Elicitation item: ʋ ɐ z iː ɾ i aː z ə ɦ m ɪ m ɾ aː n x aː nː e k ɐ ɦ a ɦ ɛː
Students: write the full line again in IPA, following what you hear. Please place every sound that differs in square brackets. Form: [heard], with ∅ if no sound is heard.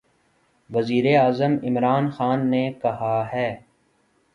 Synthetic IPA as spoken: ʋ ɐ z iː ɾ [e] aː z ə [∅] m ɪ m ɾ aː n x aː nː e k ɐ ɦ a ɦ ɛː